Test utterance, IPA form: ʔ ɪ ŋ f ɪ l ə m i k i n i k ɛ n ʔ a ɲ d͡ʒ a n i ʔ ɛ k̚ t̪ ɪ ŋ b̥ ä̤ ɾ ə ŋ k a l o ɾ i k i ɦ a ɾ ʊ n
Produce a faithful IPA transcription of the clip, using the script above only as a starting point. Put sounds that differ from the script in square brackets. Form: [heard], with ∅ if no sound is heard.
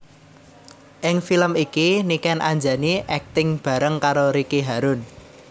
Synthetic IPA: ʔ ɪ ŋ f [i] l ə m i k i n i k ɛ n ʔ a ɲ d͡ʒ a n i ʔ ɛ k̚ t̪ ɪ ŋ b̥ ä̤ ɾ ə ŋ k a [ɾ] o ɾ i k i ɦ a ɾ ʊ n